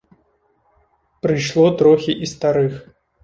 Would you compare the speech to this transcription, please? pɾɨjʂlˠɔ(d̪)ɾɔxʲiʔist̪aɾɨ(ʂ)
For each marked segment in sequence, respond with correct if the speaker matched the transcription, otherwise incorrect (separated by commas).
incorrect, incorrect